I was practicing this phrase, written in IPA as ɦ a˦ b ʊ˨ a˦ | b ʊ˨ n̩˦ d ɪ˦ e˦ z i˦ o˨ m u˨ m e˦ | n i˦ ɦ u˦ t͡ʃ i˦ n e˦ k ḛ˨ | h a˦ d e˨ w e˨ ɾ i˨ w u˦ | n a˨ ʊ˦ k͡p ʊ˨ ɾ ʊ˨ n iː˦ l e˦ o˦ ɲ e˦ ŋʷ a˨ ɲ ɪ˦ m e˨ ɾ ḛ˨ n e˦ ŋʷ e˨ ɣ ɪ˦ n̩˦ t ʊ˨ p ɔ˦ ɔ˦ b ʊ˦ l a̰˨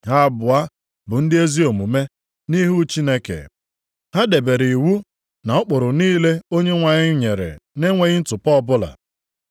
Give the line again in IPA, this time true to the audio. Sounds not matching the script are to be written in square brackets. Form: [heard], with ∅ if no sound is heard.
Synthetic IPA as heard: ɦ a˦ b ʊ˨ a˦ | b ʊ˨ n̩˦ d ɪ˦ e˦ z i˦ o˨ m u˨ m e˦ | n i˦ ɦ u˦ t͡ʃ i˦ n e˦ k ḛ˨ | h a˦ d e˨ [b] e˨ ɾ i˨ w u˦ | n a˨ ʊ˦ k͡p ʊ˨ ɾ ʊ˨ n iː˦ l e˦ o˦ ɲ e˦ ŋʷ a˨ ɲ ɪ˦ [ɲ] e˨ ɾ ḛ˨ n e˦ ŋʷ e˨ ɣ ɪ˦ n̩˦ t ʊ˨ p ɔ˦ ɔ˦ b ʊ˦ l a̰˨